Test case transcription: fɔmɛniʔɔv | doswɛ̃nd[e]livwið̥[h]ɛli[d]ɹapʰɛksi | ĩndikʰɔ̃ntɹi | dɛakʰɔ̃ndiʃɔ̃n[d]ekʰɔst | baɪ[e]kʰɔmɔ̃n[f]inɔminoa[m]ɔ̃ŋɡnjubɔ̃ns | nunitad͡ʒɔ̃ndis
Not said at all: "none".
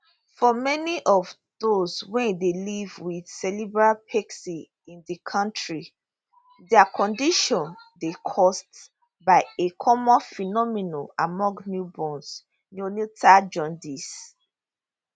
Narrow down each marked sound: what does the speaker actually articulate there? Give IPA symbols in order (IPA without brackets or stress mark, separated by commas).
e, s, b, d, e, f, m